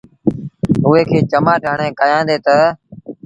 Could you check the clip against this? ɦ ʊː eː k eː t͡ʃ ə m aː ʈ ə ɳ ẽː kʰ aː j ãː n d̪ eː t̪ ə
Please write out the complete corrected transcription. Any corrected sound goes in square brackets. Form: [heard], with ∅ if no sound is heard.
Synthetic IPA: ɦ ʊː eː [kʰ] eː t͡ʃ ə m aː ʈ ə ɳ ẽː [k] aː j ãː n d̪ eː t̪ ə